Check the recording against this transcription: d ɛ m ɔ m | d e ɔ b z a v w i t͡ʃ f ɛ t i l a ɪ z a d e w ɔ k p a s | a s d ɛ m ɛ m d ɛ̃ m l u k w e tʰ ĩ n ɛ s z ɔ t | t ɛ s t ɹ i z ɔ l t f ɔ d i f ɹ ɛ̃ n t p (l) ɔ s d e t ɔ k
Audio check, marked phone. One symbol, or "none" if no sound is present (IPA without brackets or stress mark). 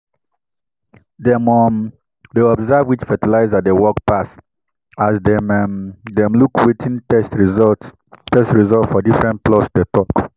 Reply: l